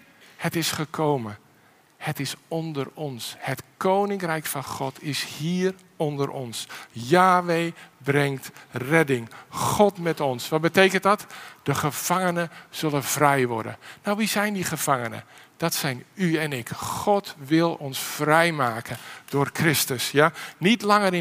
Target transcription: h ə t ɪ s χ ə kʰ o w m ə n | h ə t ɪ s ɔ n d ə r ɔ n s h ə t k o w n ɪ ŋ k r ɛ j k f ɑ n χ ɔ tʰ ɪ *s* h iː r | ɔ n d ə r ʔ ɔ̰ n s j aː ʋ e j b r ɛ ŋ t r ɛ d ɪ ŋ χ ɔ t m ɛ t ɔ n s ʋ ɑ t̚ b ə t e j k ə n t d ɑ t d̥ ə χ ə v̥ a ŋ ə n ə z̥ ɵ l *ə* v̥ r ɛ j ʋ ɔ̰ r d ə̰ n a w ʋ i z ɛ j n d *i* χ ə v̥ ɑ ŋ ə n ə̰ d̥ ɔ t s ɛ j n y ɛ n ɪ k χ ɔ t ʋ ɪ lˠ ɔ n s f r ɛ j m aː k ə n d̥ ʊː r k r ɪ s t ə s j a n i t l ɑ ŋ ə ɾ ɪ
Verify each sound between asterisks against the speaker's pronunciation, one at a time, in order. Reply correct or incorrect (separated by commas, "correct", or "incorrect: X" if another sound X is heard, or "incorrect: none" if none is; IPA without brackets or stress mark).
correct, correct, correct